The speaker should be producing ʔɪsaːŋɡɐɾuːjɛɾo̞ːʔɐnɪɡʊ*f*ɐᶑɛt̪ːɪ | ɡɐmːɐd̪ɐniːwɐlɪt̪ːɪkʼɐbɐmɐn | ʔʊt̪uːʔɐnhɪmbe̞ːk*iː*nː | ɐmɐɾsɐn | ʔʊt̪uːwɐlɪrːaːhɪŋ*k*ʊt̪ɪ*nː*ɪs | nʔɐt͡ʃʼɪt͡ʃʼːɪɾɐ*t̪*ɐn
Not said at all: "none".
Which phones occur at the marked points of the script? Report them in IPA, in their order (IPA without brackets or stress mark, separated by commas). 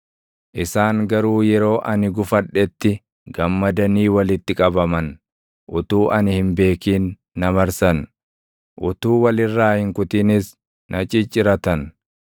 f, iː, k, n, t̪